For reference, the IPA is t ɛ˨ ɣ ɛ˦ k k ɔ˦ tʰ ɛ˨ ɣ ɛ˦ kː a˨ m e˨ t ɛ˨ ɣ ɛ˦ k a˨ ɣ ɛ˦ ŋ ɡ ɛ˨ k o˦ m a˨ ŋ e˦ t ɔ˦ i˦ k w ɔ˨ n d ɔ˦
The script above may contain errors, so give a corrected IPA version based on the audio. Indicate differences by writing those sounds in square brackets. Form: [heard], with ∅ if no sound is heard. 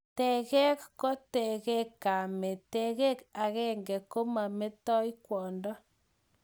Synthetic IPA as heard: t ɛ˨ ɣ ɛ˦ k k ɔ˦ [t] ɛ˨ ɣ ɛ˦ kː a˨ m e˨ t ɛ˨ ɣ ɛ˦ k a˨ ɣ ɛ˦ ŋ ɡ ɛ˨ k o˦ m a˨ [m] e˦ t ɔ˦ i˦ k w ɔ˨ n d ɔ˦